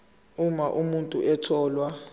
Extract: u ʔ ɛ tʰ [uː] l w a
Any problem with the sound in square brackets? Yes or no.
yes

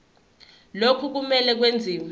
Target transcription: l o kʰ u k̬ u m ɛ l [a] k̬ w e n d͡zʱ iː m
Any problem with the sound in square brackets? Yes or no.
yes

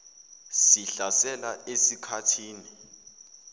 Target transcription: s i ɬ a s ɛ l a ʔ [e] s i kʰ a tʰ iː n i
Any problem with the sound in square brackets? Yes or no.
no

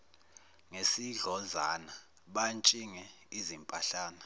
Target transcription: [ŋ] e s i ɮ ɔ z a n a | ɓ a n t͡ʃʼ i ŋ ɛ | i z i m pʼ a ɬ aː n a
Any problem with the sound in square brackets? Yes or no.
no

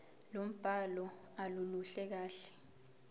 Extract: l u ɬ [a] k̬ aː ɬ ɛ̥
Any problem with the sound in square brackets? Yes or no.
yes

